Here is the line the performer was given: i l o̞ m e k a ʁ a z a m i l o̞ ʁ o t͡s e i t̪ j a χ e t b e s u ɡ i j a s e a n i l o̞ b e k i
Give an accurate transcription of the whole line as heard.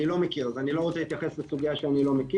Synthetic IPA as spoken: i l o̞ m e k i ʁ a z a n i l o̞ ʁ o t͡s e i t̪ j a χ e s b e s u ɡ i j a ʃ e a n i l o̞ m e k i